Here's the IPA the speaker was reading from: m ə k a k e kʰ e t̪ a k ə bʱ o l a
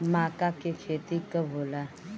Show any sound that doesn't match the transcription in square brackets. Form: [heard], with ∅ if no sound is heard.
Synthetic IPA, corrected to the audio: m [a] k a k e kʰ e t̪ [i] k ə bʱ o l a